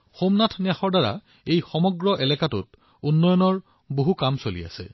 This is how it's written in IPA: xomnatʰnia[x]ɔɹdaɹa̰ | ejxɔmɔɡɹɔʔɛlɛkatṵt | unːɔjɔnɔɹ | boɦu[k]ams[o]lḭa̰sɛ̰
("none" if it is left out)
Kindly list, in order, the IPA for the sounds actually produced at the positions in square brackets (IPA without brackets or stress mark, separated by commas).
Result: x, k, o